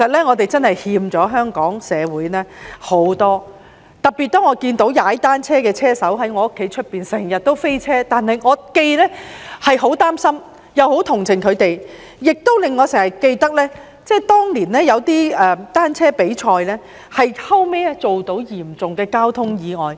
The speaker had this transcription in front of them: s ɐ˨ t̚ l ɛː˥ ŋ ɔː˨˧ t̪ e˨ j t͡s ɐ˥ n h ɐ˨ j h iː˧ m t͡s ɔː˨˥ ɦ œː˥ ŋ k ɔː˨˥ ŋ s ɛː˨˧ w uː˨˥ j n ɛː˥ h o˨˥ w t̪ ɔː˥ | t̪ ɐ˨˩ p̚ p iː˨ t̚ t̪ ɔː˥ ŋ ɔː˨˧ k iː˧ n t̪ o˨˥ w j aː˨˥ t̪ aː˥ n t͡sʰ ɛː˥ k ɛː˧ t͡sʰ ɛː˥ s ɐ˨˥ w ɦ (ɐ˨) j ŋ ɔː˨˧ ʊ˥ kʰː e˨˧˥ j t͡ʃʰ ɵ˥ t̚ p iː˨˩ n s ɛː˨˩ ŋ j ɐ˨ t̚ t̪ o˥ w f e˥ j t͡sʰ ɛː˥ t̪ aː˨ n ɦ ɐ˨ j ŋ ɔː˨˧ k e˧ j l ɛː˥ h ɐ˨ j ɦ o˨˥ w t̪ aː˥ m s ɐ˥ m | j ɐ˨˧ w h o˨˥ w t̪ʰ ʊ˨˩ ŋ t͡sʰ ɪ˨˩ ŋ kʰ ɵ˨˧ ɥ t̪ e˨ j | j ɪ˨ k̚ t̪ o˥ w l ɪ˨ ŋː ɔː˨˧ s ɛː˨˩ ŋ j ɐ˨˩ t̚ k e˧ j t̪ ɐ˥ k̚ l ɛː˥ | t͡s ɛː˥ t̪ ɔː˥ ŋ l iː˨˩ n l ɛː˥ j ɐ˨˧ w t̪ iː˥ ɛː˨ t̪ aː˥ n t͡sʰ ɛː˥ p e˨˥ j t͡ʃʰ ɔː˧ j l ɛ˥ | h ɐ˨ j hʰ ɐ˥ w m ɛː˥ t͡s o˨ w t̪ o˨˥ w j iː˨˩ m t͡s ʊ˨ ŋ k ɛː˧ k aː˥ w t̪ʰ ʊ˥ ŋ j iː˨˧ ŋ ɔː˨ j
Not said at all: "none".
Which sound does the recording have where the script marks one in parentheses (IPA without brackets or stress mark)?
ɐ˨˥